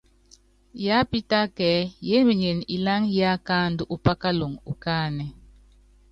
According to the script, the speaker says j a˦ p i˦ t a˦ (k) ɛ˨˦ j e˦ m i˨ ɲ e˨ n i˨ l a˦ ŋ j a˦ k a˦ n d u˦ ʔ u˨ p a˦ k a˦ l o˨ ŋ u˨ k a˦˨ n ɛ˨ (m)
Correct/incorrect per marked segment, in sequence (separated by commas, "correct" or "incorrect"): correct, incorrect